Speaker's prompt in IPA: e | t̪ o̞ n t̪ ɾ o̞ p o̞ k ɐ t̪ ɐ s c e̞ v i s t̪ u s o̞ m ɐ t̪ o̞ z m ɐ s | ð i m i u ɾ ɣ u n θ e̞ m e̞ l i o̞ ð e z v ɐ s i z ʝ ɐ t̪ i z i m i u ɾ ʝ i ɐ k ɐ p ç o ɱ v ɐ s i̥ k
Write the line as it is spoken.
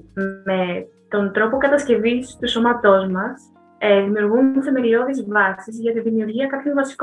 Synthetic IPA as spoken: e | t̪ o̞ n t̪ ɾ o̞ p o̞ k ɐ t̪ ɐ s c e̞ v i s t̪ u s o̞ m ɐ t̪ o̞ z m ɐ s | ð i m i u ɾ ɣ u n θ e̞ m e̞ l i o̞ ð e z v ɐ s i z ʝ ɐ t̪ i ð i m i u ɾ ʝ i ɐ k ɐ p ç o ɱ v ɐ s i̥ k